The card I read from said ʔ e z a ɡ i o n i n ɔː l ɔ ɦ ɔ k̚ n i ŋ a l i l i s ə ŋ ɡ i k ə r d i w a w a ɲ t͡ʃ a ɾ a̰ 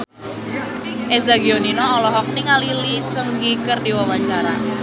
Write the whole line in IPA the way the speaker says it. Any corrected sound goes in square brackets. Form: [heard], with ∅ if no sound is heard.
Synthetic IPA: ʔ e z a ɡ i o n i n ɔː l ɔ ɦ ɔ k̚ n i ŋ a l i l i s ə ŋ ɡ i k ə r d i w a w a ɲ t͡ʃ a ɾ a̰